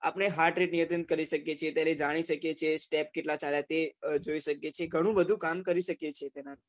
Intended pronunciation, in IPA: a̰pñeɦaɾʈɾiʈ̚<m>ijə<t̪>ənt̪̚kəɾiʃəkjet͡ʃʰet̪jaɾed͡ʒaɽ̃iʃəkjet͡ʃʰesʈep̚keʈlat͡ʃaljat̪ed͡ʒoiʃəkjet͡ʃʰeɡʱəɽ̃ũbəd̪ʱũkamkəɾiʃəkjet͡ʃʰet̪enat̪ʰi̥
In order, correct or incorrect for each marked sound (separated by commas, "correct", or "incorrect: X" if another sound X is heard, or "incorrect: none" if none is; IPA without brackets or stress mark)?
incorrect: n, correct